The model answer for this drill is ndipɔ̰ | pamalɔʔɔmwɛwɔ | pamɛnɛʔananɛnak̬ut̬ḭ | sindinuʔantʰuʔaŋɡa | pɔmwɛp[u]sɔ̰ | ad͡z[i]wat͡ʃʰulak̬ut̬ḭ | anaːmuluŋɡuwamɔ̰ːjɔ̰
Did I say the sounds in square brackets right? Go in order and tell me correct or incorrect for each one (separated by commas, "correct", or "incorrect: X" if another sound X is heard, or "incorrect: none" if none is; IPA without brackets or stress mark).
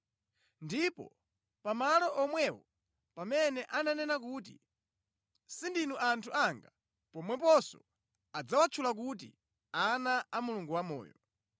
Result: incorrect: ɔ, incorrect: a